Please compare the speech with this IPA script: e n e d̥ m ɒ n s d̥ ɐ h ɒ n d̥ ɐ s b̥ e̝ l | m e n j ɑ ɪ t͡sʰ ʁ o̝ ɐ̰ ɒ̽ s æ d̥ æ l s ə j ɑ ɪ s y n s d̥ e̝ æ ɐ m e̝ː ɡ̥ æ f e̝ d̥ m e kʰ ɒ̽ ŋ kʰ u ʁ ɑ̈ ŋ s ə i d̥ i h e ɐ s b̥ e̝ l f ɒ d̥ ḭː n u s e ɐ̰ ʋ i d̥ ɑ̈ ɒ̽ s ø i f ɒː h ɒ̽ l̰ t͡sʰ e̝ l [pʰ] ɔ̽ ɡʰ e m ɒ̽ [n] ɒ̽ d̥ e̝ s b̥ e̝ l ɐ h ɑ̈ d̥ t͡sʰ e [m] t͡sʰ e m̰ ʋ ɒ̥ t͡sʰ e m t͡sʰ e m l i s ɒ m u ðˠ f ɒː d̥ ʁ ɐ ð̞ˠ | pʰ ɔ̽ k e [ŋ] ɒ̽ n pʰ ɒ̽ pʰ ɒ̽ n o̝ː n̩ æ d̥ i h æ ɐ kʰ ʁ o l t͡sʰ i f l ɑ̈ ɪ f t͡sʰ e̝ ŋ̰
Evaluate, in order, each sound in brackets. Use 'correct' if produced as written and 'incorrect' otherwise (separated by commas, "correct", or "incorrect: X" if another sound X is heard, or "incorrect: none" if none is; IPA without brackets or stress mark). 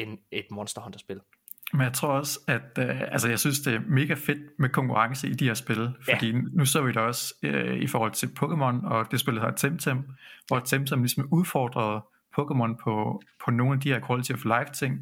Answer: correct, correct, correct, incorrect: m